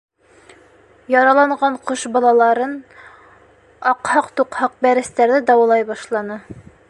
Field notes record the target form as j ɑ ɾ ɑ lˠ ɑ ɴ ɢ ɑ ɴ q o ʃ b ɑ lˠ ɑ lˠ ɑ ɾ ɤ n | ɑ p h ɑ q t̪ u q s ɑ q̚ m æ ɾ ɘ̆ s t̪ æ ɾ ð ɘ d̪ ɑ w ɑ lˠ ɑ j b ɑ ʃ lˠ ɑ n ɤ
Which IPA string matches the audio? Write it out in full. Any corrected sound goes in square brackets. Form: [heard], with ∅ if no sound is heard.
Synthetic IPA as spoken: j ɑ ɾ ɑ lˠ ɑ ɴ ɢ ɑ ɴ q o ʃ b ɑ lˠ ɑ lˠ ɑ ɾ ɤ n | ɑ [q] h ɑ q t̪ u q [h] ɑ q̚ [b] æ ɾ ɘ̆ s t̪ æ ɾ ð ɘ d̪ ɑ w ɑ lˠ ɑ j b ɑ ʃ lˠ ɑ n ɤ